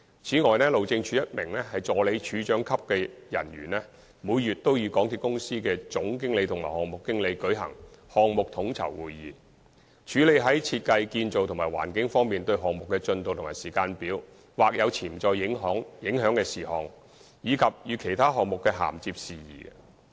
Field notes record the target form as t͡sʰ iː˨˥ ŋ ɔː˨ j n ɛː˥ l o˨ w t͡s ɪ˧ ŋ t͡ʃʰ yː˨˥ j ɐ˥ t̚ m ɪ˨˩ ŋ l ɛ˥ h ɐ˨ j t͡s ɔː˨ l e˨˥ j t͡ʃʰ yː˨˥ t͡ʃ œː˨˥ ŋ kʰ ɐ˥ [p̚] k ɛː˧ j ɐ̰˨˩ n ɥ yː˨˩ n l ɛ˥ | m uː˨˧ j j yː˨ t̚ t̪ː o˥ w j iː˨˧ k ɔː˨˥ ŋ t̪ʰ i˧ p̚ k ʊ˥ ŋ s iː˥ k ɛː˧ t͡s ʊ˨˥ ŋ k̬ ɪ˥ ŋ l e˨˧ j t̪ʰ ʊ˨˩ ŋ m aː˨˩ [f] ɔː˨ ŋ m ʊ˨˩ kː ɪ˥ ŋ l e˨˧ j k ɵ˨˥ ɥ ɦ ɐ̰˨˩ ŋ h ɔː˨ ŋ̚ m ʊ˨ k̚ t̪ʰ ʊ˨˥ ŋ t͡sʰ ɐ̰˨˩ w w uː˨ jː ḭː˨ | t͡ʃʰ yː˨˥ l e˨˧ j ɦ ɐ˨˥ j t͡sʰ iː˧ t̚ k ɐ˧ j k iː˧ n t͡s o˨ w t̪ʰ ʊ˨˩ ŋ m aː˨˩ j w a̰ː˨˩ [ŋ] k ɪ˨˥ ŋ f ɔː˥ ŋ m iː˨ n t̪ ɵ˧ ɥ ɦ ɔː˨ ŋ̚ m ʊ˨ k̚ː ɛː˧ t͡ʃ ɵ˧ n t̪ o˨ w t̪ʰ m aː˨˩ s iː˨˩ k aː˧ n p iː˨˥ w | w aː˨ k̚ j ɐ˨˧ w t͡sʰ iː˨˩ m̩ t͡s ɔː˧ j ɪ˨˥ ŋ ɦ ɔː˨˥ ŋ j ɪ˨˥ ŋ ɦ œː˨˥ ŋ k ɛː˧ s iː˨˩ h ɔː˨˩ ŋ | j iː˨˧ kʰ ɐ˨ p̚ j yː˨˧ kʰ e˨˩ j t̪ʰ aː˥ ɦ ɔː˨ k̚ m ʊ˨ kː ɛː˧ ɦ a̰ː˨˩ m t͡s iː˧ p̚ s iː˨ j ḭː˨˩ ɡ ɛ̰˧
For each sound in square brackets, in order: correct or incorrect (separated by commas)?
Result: correct, incorrect, incorrect